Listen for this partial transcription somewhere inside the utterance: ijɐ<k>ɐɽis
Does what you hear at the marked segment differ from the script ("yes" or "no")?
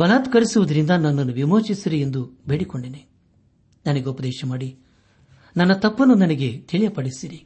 yes